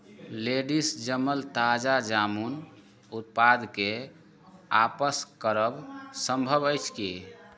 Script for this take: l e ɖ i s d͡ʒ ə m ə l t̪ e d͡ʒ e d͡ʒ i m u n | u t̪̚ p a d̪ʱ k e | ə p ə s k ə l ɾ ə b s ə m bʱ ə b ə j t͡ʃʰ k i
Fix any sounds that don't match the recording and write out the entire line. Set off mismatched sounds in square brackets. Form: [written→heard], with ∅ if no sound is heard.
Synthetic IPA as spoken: l e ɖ i s d͡ʒ ə m ə l t̪ [e→a] d͡ʒ [e→a] d͡ʒ [i→a] m u n | u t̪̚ p a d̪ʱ k e | [ə→a] p ə s k ə [l→∅] ɾ ə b s ə m bʱ ə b ə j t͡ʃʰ k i